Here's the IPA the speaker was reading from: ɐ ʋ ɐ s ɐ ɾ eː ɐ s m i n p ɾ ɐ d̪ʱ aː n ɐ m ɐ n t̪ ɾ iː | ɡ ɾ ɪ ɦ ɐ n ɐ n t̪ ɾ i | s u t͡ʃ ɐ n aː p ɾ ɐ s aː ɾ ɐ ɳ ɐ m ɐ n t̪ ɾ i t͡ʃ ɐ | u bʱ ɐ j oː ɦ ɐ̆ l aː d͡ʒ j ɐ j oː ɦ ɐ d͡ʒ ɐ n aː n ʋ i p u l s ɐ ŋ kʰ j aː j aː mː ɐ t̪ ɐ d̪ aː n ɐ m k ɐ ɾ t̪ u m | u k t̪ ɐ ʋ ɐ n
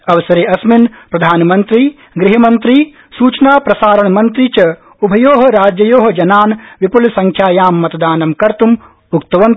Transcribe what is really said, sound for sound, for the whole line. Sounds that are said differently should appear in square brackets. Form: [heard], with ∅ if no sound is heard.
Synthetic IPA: ɐ ʋ ɐ s ɐ ɾ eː ɐ s m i n p ɾ ɐ d̪ʱ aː n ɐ m ɐ n t̪ ɾ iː | ɡ ɾ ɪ ɦ ɐ [m] ɐ n t̪ ɾ i | s [uː] t͡ʃ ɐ n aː p ɾ ɐ s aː ɾ ɐ ɳ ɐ m ɐ n t̪ ɾ i t͡ʃ ɐ | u bʱ ɐ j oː ɦ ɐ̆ [ɾ] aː d͡ʒ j ɐ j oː ɦ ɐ d͡ʒ ɐ n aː n ʋ i p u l s ɐ ŋ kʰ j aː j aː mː ɐ t̪ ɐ d̪ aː n ɐ m k ɐ ɾ t̪ u m | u k t̪ ɐ ʋ ɐ n